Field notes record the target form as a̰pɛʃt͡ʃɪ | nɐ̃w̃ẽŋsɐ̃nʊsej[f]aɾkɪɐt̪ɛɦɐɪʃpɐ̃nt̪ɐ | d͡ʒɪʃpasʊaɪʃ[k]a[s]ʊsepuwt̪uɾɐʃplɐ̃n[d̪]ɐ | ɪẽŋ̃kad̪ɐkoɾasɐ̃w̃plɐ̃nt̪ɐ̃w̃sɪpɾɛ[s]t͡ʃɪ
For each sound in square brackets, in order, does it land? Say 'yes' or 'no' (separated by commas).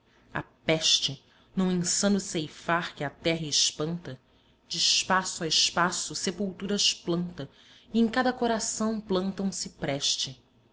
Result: yes, no, yes, no, no